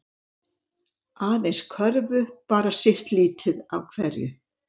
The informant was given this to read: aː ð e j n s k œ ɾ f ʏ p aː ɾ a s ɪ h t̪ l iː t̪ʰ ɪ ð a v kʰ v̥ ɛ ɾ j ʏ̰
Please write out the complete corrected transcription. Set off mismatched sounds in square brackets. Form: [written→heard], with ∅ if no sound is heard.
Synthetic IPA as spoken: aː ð e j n s [k→kʰ] œ ɾ [f→v] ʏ p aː ɾ a s ɪ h t̪ l iː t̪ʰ ɪ ð a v kʰ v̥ ɛ ɾ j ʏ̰